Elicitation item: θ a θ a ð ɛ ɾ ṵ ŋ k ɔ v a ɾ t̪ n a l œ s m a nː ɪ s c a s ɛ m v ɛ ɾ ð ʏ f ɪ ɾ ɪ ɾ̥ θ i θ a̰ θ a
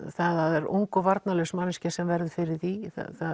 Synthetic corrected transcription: θ a ð a ð ɛ ɾ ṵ ŋ k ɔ v a ɾ t̪ n a l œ s m a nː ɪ s c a s ɛ m v ɛ ɾ ð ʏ f ɪ ɾ ɪ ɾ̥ θ i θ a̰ θ a